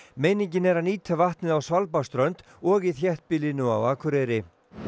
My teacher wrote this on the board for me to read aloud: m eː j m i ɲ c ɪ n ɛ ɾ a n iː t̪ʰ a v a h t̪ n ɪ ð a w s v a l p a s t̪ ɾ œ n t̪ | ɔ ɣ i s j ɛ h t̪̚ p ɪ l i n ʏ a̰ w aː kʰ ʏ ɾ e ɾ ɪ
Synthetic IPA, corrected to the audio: m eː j n i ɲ c ɪ n ɛ ɾ a n iː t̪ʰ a v a h t̪ n ɪ ð a w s v a l p a s t̪ ɾ œ n t̪ | ɔ ɣ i θ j ɛ h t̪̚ p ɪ l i n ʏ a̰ w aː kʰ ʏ ɾ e ɾ ɪ